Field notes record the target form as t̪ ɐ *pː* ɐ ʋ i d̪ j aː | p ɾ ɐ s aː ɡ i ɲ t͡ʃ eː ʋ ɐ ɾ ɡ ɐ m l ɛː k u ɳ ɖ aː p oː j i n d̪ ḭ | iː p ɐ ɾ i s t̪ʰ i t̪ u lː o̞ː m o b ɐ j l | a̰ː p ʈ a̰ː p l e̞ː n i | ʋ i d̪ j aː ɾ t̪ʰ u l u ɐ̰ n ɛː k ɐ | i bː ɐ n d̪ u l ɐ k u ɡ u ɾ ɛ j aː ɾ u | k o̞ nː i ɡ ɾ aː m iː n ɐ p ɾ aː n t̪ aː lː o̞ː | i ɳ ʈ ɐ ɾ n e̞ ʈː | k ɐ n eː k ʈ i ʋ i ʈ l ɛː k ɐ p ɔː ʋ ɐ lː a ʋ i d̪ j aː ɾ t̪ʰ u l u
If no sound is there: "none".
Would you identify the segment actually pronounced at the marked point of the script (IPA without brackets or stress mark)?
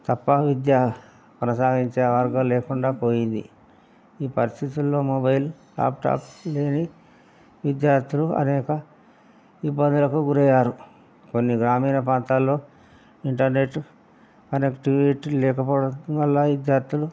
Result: pː